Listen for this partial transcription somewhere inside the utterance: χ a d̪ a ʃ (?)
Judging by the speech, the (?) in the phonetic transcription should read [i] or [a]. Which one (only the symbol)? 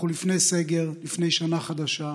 a